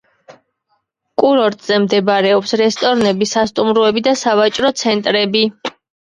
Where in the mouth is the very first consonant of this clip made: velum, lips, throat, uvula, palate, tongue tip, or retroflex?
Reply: velum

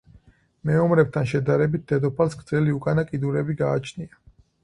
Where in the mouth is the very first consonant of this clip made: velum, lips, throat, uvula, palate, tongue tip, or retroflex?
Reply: lips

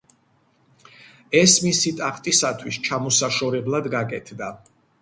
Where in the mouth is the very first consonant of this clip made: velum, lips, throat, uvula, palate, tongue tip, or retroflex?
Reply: tongue tip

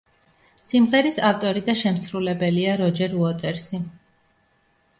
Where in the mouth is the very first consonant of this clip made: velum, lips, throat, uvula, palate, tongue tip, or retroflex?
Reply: tongue tip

